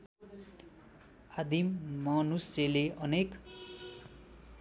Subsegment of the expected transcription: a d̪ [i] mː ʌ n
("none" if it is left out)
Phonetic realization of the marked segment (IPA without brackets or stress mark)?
i